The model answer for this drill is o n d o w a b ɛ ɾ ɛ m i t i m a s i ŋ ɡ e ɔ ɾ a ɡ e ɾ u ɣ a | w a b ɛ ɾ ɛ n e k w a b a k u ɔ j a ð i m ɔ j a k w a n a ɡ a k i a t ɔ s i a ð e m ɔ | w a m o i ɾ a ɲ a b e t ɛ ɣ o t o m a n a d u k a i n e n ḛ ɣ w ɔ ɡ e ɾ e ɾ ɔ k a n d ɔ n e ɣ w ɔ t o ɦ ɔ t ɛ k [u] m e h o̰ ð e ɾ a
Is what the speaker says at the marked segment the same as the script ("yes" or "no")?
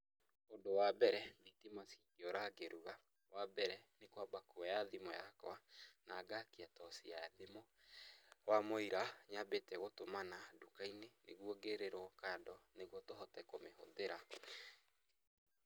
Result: no